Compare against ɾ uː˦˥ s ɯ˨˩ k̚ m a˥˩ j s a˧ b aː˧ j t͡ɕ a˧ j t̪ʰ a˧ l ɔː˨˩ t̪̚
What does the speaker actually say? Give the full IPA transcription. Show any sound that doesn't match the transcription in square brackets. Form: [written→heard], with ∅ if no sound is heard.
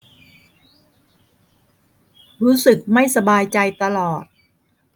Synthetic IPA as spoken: ɾ uː˦˥ s ɯ˨˩ k̚ m a˥˩ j s a˧ b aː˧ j t͡ɕ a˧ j [t̪ʰ→t̪] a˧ l ɔː˨˩ t̪̚